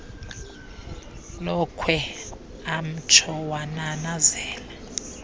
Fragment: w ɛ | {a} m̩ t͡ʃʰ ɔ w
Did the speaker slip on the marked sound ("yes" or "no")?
no